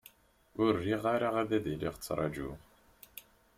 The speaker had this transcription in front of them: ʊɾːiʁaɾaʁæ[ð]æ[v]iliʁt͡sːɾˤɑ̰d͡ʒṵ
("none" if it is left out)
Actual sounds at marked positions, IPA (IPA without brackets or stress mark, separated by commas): ð, ð